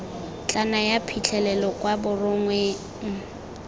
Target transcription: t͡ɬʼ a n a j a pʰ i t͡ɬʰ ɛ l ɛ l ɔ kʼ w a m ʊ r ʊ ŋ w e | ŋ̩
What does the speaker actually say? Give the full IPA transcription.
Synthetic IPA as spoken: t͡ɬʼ a n a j a pʰ i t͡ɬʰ ɛ l ɛ l ɔ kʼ w a b ʊ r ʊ ŋ w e | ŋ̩